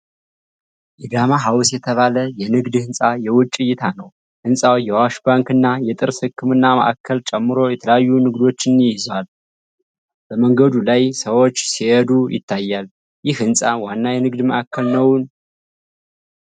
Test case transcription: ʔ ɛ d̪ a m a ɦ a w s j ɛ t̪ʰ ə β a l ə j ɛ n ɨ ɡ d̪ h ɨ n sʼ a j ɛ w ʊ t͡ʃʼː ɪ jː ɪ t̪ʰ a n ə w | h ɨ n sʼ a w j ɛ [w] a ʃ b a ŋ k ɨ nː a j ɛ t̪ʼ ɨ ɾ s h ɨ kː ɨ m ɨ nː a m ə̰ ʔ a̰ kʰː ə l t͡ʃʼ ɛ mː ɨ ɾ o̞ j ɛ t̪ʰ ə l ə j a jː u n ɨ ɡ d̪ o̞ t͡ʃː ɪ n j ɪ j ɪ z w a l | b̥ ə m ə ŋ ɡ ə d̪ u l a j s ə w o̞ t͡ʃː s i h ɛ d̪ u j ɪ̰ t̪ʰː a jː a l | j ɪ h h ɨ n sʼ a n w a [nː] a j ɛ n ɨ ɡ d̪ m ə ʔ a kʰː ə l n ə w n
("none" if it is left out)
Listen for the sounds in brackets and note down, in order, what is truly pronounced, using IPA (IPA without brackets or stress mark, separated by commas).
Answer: w, nː